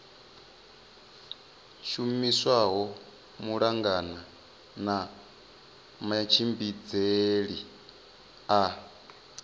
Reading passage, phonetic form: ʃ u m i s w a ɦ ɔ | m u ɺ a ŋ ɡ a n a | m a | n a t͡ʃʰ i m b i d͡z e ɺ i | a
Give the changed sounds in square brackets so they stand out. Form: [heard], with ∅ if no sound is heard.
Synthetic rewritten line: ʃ u m i s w a ɦ ɔ | m u ɺ a ŋ ɡ a n a | [n] a | [m] a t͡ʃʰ i m b i d͡z e ɺ i | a